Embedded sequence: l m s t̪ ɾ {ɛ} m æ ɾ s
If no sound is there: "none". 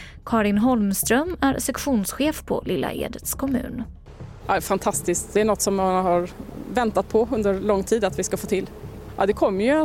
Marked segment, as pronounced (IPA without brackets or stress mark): œ